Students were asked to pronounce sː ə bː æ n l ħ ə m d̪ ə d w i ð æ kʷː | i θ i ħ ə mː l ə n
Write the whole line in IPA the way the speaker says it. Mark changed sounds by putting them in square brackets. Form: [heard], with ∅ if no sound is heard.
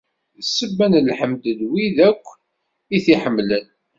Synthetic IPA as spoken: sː ə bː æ n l ħ ə m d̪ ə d w i ð æ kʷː | i θ i ħ ə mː l ə n